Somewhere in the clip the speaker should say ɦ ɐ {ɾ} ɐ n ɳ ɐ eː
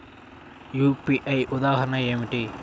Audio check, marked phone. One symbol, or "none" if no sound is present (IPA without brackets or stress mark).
ɾ